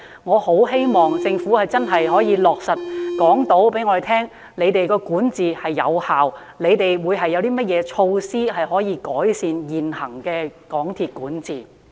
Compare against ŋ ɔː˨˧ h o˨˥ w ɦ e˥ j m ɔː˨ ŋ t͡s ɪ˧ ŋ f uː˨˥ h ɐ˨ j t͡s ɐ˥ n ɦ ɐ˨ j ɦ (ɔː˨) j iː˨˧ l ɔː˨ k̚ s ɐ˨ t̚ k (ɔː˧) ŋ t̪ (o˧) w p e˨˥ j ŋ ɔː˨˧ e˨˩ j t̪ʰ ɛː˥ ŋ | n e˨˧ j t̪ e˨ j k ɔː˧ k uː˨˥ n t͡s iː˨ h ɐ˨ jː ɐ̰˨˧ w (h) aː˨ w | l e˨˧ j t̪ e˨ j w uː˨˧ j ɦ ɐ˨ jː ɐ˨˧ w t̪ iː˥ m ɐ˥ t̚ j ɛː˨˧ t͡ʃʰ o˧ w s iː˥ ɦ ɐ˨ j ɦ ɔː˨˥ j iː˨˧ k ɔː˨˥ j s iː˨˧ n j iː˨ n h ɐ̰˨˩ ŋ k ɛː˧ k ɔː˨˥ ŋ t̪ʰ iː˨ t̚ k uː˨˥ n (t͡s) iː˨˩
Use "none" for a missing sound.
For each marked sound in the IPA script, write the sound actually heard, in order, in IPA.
ɔː˨˥, ɔː˨˥, o˨˥, h, t͡s

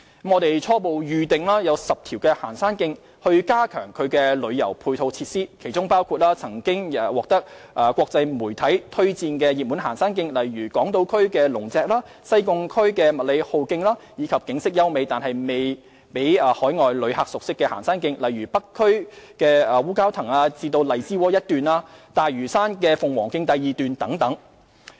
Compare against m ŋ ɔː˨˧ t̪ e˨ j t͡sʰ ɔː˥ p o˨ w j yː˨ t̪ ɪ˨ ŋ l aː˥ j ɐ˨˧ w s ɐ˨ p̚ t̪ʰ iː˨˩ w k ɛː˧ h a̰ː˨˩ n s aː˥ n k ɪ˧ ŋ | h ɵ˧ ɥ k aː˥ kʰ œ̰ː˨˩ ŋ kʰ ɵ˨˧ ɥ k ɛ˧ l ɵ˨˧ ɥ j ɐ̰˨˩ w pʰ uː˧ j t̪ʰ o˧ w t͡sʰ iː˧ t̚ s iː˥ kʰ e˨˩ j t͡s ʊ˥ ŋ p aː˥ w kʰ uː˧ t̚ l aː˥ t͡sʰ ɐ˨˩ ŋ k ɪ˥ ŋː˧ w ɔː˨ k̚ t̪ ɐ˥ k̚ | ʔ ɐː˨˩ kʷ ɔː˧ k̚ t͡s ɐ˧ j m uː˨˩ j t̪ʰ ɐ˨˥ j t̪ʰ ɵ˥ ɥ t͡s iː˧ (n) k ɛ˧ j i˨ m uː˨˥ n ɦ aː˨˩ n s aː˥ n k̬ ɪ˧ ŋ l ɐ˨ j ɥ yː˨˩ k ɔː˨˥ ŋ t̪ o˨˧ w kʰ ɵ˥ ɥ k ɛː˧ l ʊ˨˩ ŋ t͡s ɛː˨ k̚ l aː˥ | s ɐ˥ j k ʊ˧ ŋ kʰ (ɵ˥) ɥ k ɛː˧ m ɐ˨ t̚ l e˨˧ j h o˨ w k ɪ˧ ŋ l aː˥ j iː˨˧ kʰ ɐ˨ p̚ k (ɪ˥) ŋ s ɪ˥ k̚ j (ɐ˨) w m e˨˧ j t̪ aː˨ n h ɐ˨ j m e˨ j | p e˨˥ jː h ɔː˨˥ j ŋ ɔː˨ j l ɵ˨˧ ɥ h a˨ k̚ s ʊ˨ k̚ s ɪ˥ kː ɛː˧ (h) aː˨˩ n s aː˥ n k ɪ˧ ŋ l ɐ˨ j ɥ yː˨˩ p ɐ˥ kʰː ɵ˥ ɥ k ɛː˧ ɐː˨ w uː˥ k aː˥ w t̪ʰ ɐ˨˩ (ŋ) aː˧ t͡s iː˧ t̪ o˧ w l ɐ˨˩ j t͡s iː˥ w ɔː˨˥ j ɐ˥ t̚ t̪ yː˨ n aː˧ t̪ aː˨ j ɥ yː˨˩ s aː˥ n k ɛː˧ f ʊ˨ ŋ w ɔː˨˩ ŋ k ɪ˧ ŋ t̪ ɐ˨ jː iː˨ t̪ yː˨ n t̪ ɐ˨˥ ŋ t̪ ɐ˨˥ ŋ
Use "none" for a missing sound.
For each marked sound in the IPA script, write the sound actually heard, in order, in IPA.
n, ɵ˥, ɪ˨˥, ɐ˥, h, ŋ

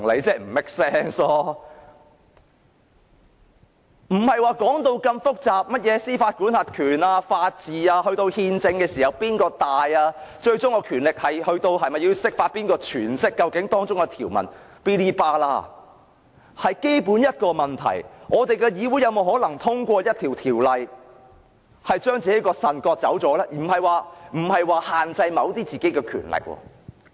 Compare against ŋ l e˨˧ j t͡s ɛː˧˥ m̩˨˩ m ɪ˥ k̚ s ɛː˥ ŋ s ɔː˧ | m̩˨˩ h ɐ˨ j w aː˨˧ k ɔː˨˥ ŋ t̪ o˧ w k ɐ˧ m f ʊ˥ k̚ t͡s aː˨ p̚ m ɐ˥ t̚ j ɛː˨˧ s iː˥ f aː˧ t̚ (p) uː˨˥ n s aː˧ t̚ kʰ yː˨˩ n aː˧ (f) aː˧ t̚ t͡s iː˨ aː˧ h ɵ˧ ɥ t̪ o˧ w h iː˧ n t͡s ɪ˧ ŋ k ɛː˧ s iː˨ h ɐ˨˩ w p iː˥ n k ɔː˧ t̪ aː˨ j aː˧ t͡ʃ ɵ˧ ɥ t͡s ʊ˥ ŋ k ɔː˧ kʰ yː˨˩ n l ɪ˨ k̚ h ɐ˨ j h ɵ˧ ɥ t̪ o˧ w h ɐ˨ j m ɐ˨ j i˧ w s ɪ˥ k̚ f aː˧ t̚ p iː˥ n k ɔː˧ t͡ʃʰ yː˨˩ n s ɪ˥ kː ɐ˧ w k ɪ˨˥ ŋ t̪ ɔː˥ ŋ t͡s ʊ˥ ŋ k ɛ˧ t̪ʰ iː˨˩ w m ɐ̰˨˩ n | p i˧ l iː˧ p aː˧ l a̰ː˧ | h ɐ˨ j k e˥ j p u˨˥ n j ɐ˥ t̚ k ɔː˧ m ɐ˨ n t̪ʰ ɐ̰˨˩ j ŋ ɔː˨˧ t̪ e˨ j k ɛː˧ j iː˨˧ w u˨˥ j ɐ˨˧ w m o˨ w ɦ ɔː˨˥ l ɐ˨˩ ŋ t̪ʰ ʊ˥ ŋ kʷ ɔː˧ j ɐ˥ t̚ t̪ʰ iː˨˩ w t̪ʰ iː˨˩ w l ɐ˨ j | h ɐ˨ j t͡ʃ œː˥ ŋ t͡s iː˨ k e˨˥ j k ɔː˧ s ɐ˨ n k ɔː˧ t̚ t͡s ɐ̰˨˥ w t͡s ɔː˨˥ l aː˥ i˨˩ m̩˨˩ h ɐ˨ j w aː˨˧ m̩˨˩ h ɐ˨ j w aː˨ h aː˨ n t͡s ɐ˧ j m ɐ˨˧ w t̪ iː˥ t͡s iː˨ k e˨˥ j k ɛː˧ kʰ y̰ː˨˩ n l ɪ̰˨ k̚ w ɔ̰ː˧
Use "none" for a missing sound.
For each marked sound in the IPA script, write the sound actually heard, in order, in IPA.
k, f

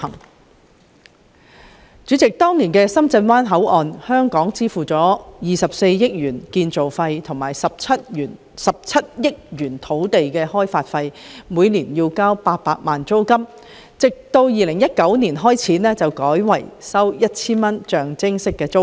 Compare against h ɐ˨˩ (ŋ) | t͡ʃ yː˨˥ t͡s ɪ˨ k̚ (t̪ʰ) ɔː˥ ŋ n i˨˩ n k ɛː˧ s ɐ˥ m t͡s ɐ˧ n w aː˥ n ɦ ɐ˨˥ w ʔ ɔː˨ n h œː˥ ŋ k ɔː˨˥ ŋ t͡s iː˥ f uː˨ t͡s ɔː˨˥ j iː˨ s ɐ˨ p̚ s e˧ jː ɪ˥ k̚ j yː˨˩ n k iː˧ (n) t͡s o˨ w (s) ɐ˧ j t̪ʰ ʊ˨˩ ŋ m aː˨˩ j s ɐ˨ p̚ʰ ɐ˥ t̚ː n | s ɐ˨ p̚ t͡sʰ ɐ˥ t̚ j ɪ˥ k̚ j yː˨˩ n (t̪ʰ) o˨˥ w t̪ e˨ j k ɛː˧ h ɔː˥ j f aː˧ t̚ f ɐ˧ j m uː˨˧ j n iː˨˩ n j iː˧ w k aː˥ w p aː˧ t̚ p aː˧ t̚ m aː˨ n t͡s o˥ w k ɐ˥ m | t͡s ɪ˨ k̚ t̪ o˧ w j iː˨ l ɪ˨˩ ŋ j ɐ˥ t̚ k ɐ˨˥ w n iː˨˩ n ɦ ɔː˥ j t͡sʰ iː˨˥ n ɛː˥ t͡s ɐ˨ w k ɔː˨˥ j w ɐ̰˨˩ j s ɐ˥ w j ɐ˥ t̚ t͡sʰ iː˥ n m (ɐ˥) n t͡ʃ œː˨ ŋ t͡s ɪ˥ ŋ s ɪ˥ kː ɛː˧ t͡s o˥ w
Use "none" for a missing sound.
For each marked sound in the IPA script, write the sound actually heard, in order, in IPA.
ŋ, t̪, n, f, t̪ʰ, ɐ˥

